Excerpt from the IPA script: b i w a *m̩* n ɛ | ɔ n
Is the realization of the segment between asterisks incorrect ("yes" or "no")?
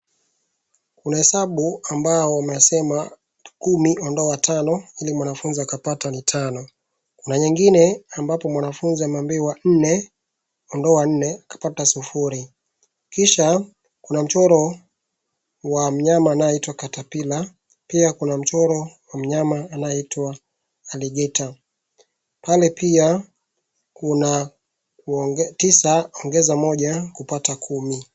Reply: yes